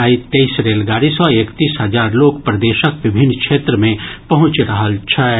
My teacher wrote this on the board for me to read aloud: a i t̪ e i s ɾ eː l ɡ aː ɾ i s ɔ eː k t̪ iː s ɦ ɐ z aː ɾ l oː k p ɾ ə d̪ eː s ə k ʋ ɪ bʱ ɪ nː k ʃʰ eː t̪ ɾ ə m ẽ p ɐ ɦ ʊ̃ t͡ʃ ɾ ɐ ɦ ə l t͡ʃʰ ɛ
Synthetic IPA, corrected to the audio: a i t̪ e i s ɾ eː l ɡ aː ɾ i s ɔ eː k t̪ iː s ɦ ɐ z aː ɾ l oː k p ɾ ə d̪ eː ʃ ə k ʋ ɪ bʱ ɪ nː k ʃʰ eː t̪ ɾ ə m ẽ p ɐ ɦ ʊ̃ t͡ʃ ɾ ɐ ɦ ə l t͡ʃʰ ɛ